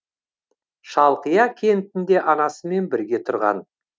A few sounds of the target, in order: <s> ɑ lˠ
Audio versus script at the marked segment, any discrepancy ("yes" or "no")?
yes